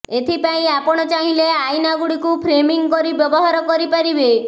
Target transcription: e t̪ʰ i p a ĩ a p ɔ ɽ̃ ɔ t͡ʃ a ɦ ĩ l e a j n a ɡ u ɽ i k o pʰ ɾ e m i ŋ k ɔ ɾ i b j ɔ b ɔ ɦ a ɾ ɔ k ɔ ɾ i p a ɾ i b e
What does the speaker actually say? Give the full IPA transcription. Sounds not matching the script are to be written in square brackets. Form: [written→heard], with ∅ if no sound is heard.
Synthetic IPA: e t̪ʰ i p a ĩ a p ɔ ɽ̃ ɔ t͡ʃ a ɦ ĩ l e a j n a ɡ u ɽ i k [o→u] pʰ ɾ e m i ŋ k ɔ ɾ i b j ɔ b ɔ ɦ a ɾ ɔ k ɔ ɾ i p a ɾ i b e